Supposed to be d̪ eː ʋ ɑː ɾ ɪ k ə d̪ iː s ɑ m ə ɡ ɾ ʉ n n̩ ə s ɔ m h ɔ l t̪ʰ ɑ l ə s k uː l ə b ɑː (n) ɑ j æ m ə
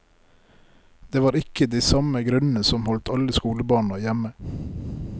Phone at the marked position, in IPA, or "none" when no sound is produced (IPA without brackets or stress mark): ɳ